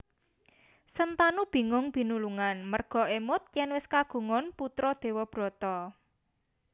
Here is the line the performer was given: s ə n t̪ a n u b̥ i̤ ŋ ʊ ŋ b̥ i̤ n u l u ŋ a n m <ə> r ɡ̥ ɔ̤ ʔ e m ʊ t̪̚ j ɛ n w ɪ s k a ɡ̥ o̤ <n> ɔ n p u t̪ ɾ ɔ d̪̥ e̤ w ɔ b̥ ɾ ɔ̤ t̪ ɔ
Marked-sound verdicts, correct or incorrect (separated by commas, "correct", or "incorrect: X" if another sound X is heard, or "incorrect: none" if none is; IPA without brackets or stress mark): correct, incorrect: ŋ